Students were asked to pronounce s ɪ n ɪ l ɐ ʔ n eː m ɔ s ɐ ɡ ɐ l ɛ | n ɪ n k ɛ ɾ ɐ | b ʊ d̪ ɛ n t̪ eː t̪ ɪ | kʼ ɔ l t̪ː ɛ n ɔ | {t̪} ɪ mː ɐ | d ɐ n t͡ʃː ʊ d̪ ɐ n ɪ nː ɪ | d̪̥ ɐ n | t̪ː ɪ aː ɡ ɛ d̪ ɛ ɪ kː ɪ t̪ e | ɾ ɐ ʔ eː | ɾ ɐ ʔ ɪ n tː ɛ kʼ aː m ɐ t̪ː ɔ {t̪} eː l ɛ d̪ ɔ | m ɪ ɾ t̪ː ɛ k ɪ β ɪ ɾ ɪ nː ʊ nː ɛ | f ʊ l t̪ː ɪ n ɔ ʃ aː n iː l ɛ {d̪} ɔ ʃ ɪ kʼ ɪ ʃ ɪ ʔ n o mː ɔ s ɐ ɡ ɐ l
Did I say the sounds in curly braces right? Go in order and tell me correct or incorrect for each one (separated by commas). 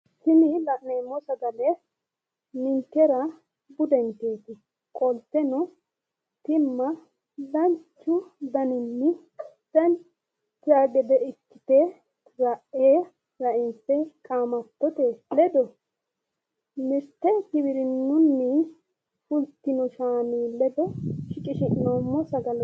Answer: correct, correct, correct